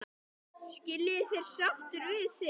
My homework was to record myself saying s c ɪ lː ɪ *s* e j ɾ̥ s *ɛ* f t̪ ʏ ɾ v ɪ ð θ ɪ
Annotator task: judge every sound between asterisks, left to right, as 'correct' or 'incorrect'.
incorrect: θ, incorrect: a

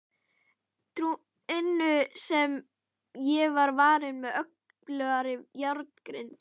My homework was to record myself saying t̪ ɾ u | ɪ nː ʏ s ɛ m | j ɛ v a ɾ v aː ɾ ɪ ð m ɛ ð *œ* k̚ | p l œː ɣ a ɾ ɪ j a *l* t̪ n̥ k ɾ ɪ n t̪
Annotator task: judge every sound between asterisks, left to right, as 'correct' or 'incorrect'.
correct, incorrect: ɾ

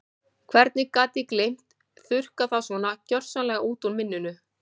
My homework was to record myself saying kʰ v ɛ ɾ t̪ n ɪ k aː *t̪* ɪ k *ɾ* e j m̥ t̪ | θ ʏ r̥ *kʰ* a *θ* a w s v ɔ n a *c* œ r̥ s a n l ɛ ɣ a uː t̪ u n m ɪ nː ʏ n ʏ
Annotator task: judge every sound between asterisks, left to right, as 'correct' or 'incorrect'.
correct, incorrect: l, incorrect: k, correct, correct

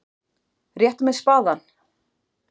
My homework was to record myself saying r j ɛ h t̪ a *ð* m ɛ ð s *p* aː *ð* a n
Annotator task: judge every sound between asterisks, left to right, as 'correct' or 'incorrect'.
incorrect: none, correct, correct

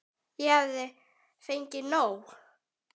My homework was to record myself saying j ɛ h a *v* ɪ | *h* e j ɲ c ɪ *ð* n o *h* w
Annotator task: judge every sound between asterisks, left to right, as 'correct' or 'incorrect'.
incorrect: ð, incorrect: f, incorrect: none, incorrect: none

